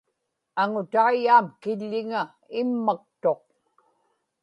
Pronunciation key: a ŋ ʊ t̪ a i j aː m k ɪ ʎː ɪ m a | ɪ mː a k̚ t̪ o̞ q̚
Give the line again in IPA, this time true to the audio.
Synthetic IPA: a ŋ ʊ t̪ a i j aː m k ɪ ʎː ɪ ŋ a | ɪ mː a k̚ t̪ o̞ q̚